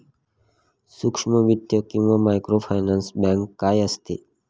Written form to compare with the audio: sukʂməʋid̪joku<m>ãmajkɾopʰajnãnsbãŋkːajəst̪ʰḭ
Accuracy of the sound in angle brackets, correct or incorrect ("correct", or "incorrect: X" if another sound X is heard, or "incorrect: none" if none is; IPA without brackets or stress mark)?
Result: correct